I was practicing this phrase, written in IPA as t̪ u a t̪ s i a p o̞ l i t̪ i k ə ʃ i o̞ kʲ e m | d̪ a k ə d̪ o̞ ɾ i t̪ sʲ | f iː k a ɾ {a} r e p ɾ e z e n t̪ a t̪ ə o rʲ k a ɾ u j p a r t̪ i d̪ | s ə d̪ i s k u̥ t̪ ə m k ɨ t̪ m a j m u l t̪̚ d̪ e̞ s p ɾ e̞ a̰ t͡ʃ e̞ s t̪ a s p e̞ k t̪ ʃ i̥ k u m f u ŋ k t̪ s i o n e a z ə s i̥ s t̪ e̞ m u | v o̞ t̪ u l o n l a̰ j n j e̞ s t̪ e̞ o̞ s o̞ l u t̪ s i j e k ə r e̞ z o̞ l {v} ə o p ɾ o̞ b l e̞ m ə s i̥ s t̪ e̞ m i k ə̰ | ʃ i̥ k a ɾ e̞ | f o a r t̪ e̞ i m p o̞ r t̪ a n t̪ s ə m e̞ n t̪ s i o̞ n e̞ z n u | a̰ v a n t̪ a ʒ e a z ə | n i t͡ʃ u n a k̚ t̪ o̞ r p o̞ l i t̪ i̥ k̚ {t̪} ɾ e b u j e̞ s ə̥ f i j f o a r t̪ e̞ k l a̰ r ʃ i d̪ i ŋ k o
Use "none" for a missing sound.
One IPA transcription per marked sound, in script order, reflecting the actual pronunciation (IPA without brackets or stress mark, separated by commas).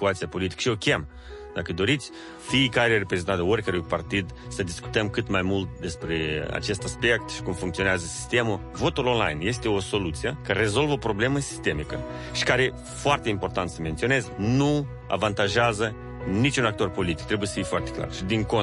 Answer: e, v, t̪